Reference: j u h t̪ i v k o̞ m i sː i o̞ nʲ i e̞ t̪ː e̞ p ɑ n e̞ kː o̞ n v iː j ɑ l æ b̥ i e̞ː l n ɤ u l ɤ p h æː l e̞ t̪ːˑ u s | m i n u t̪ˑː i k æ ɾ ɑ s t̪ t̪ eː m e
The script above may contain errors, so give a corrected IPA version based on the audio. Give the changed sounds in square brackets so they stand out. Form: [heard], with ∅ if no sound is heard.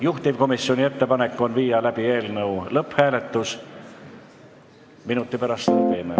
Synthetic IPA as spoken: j u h t̪ i v k o̞ m i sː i o̞ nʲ i e̞ t̪ː e̞ p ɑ n e̞ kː o̞ n v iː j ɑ l æ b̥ i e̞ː l n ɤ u l ɤ p h æː l e̞ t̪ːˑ u s | m i n u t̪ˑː i [p] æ ɾ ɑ s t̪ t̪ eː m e